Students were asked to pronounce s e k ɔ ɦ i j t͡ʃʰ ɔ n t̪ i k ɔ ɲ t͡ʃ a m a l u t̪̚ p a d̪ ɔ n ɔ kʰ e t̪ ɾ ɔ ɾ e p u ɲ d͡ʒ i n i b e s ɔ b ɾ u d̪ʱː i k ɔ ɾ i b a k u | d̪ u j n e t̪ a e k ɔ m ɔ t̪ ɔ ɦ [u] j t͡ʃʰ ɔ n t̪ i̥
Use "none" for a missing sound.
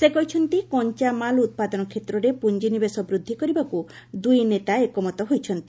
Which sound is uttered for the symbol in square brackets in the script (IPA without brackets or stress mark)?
o